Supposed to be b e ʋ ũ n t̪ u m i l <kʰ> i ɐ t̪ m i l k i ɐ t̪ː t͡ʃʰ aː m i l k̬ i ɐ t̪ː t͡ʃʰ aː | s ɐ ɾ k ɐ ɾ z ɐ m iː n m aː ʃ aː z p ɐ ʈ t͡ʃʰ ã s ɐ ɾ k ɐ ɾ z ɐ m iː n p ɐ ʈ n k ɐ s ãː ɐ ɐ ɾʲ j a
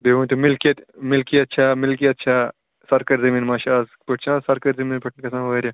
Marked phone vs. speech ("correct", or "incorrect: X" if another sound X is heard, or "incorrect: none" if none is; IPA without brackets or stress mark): incorrect: k